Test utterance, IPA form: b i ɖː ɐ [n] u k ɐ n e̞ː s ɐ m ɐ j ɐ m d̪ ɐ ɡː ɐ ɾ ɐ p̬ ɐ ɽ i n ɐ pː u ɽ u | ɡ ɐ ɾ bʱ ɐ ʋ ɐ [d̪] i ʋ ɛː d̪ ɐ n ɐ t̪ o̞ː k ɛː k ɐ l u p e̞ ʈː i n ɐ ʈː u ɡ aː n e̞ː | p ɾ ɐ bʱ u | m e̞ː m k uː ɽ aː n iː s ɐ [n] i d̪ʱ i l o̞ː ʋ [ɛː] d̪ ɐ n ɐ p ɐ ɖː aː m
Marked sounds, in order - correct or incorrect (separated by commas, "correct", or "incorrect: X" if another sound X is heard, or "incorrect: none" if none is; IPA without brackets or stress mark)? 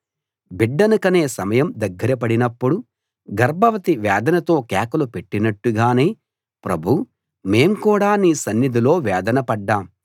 correct, incorrect: t̪, incorrect: nː, correct